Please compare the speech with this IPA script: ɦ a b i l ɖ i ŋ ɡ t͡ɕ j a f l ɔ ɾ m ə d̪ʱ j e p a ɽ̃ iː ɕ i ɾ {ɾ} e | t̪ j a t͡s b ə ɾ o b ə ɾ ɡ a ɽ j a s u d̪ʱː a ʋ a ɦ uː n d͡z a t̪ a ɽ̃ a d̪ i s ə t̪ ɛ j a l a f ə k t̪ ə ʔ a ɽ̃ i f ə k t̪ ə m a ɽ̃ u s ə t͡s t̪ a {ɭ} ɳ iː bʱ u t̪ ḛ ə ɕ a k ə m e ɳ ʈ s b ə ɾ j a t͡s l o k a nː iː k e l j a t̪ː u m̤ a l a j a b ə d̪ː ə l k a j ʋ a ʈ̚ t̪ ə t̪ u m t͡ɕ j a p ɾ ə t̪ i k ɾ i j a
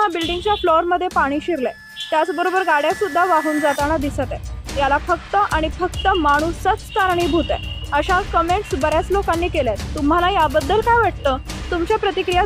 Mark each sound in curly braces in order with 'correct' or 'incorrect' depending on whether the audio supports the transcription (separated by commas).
incorrect, incorrect